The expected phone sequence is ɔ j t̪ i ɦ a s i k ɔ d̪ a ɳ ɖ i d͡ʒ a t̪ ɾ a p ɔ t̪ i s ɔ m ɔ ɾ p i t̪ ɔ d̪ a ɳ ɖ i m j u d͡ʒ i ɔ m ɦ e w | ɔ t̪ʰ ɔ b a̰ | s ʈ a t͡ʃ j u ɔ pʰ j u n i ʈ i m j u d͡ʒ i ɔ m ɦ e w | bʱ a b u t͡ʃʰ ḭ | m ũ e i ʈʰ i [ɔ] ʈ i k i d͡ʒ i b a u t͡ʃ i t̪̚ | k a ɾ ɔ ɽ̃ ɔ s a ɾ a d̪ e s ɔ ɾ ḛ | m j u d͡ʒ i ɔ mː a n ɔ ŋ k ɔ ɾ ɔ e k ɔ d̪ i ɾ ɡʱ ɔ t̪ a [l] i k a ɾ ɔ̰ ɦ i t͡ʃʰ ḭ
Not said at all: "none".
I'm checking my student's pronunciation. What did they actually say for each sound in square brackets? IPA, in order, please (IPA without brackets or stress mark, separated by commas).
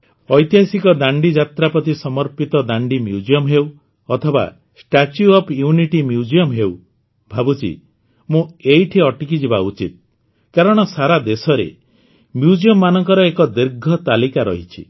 ɔ, l